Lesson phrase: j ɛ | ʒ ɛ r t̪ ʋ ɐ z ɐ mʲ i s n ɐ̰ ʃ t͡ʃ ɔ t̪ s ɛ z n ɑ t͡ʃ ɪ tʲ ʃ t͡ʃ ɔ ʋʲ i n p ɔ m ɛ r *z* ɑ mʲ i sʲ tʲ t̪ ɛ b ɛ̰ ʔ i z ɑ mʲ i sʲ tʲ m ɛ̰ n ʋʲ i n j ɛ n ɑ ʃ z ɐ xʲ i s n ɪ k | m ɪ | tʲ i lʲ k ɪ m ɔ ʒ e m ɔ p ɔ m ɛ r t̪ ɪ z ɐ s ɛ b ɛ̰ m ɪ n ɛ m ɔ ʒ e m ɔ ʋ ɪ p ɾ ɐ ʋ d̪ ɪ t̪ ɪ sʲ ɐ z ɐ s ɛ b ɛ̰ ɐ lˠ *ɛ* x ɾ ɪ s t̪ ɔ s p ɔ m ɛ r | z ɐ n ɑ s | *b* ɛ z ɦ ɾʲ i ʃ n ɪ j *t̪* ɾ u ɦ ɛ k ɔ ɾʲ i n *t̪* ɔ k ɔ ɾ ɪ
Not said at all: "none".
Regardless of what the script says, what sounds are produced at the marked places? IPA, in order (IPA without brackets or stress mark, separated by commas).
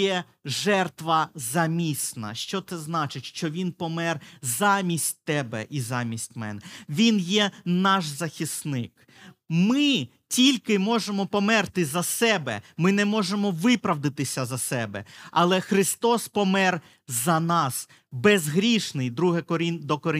z, ɛ, b, d̪, d̪